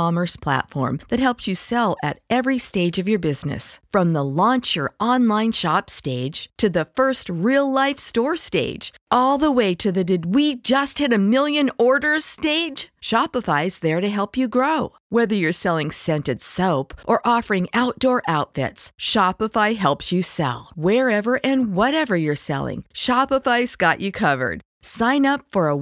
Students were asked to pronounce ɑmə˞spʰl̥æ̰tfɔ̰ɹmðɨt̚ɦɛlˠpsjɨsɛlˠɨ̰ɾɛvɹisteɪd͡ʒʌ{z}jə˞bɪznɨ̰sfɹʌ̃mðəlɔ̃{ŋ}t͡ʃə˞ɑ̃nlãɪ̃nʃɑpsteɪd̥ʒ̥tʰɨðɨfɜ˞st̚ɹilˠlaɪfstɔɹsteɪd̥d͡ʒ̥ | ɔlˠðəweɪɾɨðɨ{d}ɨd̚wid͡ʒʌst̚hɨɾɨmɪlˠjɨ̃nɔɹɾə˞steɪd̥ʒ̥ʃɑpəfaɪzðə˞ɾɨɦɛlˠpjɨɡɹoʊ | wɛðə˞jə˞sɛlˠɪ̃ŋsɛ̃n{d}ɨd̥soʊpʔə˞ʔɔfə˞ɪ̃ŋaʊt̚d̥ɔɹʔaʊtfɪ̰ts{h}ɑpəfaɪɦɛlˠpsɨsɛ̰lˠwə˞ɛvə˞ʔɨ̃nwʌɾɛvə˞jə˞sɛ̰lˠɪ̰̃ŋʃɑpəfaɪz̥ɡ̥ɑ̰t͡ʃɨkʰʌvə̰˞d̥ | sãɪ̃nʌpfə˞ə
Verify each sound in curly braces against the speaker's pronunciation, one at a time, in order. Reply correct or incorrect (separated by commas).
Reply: incorrect, incorrect, correct, incorrect, incorrect